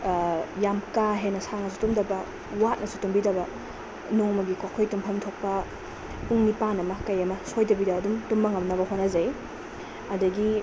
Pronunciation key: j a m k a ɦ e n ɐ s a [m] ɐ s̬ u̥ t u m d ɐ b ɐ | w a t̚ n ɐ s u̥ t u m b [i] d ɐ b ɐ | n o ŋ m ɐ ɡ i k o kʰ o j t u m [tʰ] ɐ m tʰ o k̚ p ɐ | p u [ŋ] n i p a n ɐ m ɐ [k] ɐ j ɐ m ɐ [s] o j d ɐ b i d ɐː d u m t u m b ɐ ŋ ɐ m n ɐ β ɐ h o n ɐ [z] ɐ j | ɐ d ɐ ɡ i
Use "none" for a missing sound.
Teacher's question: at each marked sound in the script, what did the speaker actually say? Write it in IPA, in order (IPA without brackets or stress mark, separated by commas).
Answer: ŋ, i, pʰ, ŋ, k, s, z